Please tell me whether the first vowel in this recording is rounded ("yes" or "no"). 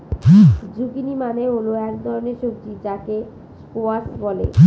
yes